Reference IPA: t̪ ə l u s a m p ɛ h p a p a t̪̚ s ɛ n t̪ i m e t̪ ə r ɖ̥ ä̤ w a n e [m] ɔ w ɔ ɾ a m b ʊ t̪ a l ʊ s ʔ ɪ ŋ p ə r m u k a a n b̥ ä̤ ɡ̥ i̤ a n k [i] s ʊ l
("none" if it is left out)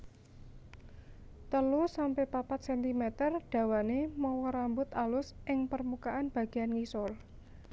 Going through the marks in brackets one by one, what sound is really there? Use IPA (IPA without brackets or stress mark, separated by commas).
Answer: m, i